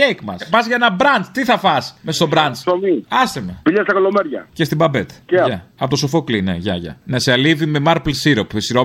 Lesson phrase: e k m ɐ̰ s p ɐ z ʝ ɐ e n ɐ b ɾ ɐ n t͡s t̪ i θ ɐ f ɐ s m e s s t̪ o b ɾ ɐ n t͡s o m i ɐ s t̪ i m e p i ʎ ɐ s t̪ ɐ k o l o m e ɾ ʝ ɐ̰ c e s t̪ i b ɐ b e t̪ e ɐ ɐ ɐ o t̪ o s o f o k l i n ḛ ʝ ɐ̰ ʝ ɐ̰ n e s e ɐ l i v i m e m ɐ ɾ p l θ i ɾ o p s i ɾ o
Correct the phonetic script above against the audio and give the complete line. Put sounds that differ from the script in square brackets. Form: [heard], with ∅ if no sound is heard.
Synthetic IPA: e k m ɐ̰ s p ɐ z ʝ ɐ e n ɐ b ɾ ɐ n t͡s t̪ i θ ɐ f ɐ s m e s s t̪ o b ɾ ɐ n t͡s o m i ɐ s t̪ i m e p i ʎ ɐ s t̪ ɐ k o l o m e ɾ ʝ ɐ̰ c e s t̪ i b ɐ b e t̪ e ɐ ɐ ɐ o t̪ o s o f o k l i n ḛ ʝ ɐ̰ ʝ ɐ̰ n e s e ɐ l i v i m e m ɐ ɾ p l [s] i ɾ o p s i ɾ o